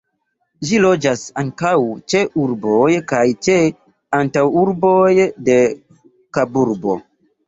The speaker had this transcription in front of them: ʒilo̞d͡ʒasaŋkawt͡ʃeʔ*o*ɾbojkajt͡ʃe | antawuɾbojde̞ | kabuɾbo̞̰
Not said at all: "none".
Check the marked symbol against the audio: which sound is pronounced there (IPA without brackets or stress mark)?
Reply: u